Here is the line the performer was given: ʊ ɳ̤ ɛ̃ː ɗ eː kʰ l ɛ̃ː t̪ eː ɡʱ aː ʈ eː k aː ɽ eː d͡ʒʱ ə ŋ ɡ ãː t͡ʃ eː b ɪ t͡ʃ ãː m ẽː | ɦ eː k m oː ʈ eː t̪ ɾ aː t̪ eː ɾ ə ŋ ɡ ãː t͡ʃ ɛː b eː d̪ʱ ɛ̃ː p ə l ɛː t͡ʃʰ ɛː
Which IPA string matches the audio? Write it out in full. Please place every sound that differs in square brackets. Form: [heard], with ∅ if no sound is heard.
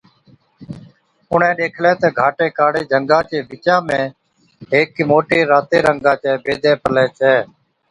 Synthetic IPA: ʊ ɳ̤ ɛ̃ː ɗ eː kʰ l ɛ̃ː t̪ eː ɡʱ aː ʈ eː k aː ɽ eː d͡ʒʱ ə ŋ ɡ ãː t͡ʃ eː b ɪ t͡ʃ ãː m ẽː | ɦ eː k m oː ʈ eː [∅] ɾ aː t̪ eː ɾ ə ŋ ɡ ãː t͡ʃ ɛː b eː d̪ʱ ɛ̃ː p ə l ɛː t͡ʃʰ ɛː